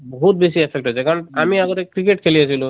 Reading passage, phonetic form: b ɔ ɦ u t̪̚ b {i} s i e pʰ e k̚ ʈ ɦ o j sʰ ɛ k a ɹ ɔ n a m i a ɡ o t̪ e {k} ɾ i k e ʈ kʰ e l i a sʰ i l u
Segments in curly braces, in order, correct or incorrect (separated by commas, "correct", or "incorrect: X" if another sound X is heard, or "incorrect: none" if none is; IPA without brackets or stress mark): incorrect: e, correct